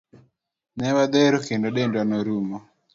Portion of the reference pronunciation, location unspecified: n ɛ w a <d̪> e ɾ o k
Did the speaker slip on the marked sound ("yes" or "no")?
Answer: no